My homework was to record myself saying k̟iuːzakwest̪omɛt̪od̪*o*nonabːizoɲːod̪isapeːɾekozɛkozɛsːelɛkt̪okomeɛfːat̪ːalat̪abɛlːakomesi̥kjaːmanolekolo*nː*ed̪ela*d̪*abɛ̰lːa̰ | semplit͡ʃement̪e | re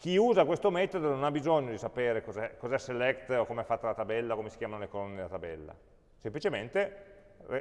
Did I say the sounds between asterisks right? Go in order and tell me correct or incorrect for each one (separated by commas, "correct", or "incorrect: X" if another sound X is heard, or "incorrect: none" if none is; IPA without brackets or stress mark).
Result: correct, correct, incorrect: t̪